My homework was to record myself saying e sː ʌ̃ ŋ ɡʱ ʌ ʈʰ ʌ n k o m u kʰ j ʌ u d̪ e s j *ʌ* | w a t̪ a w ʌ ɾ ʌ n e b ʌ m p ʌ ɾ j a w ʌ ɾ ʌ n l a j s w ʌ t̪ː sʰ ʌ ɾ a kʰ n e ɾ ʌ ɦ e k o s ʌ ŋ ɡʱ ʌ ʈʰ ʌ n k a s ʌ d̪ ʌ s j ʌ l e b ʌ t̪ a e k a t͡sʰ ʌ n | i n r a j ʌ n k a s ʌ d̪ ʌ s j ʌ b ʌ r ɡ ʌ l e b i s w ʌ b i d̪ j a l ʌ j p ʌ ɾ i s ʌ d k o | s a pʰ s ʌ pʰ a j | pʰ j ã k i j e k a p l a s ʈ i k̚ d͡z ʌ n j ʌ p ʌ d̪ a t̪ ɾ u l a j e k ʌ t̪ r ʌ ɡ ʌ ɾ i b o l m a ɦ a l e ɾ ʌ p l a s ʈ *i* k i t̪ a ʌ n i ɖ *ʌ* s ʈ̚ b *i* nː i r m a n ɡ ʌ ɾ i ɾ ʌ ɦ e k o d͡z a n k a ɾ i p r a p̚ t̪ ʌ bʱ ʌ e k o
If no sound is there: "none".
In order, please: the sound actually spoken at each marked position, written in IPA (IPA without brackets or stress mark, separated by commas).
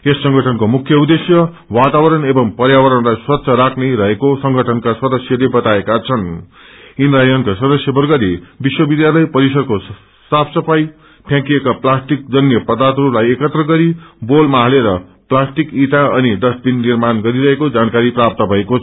ʌ, i, ʌ, i